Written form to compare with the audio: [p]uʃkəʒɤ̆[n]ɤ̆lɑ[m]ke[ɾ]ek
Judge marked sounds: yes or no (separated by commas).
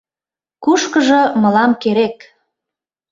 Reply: no, no, yes, yes